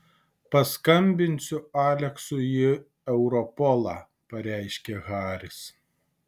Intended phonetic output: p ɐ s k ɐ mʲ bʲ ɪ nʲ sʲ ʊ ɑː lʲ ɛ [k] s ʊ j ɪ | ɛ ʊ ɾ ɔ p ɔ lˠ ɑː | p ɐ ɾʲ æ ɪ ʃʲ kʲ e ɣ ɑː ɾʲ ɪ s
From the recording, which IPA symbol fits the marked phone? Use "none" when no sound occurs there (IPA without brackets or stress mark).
k